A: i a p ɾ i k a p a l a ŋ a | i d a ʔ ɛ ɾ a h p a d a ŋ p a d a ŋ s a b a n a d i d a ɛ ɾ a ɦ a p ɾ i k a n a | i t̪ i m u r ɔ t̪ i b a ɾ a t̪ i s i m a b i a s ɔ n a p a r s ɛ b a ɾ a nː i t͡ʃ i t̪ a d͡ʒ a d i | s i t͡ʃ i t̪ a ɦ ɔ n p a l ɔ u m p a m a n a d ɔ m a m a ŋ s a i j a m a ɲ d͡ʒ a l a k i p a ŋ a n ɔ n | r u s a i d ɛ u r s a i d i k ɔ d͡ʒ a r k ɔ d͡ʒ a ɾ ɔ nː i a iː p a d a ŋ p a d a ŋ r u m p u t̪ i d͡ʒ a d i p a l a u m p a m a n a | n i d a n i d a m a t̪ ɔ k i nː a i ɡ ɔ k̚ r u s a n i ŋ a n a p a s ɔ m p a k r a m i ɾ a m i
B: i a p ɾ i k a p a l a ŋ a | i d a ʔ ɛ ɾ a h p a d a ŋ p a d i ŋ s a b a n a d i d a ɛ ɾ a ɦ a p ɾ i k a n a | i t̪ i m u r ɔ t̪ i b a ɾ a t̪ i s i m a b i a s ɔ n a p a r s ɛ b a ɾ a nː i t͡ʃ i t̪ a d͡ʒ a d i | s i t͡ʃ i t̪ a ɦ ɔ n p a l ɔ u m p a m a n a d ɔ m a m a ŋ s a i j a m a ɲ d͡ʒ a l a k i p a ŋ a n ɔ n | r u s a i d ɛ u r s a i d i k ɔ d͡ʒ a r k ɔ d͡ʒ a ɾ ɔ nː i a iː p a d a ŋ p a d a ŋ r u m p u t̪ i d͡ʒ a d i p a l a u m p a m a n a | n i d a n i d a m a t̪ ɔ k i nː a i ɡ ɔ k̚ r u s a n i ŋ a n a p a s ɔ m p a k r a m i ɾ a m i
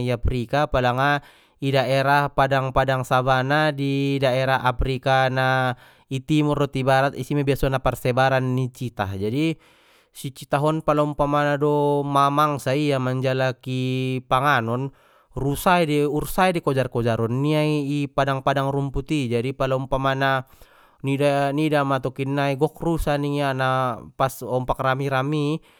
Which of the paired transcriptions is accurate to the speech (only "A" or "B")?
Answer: A